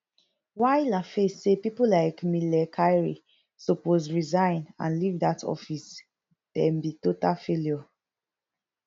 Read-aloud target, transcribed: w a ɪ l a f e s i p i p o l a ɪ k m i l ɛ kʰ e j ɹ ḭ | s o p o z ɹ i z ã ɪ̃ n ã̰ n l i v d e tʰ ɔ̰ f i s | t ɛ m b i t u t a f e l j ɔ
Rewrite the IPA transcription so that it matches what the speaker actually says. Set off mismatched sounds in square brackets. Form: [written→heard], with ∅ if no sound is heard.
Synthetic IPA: w a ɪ l a f e s [i→e] p i p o l a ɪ k m i l ɛ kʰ [e→a] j ɹ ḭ | s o p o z ɹ i z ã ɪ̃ n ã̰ n l i v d [e→a] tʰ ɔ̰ f i s | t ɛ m b i t [u→o] t a f e l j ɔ